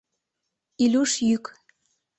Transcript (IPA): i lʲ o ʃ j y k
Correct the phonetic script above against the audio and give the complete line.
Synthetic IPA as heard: i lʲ u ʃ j y k